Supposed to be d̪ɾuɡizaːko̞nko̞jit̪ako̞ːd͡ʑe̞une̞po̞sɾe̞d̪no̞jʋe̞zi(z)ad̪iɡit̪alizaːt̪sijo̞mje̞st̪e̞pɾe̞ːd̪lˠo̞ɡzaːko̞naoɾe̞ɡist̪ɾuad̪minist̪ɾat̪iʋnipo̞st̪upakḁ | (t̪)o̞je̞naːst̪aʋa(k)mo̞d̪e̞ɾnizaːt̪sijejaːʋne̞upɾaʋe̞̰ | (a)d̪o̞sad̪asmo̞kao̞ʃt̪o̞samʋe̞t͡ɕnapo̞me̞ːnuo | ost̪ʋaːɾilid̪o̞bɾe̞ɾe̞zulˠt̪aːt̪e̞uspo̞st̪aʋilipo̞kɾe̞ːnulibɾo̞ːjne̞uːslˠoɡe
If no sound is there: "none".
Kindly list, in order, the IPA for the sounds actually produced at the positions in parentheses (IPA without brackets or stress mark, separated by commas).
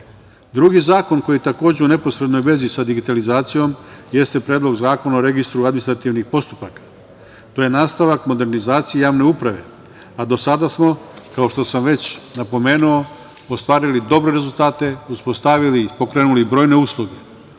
s, t̪, k, a